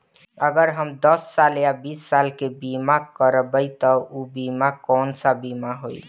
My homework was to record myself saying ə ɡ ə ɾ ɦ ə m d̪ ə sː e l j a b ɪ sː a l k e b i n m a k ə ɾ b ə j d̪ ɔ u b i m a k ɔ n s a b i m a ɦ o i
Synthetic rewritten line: ə ɡ ə ɾ ɦ ə m d̪ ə sː a l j a b i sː a l k e b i m a k ə ɾ b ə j t̪ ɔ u b i m a k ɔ n s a b i m a ɦ o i